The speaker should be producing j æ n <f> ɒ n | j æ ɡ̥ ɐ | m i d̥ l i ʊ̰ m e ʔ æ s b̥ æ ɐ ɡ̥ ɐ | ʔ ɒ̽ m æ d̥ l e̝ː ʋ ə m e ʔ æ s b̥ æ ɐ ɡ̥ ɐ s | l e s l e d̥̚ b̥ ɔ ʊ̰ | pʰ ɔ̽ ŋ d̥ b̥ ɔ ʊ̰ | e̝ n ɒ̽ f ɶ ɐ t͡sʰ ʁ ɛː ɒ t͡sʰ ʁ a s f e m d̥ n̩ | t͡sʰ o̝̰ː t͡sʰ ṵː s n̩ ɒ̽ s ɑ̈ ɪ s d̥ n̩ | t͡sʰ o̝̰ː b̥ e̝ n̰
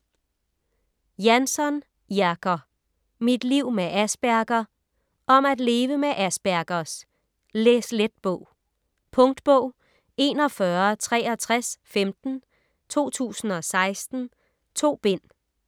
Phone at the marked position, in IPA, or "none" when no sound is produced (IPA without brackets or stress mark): s